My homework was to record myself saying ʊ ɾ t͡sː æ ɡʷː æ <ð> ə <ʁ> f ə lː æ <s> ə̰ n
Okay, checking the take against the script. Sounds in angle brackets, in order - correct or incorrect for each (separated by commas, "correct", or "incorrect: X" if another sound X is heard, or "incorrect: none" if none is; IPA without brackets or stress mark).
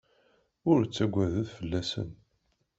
correct, incorrect: ð, correct